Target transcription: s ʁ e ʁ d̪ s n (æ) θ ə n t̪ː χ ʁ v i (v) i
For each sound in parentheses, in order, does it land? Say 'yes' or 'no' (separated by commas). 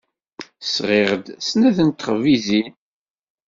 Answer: yes, no